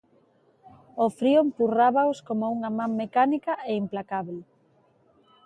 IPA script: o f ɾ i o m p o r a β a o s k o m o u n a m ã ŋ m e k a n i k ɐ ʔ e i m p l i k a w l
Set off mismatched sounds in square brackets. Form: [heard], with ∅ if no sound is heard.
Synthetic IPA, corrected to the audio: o f ɾ i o m p [u] r a β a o s k o m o u [ŋ] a m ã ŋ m e k a n i k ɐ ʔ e i m p l [a] k a [β] l